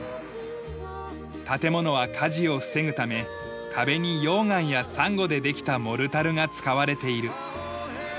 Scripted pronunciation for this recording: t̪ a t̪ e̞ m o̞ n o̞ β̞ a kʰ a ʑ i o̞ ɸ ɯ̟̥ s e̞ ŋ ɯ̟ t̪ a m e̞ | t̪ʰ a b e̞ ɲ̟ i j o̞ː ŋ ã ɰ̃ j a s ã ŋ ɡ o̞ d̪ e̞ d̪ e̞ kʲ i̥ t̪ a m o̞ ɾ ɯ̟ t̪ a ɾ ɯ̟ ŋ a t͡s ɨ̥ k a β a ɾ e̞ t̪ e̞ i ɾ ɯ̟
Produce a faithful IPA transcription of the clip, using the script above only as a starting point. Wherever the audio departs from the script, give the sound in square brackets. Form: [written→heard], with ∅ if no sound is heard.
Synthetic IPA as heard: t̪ a t̪ e̞ m o̞ n o̞ β̞ a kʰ a ʑ i o̞ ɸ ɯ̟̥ s e̞ ŋ ɯ̟ t̪ a m e̞ | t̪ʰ a b e̞ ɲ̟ i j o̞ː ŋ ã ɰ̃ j a s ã ŋ ɡ o̞ d̪ e̞ d̪ e̞ kʲ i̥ t̪ a m o̞ ɾ ɯ̟ t̪ a ɾ ɯ̟ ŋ a t͡s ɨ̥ k a β a ɾ e̞ t̪ e̞ i ɾ ɯ̟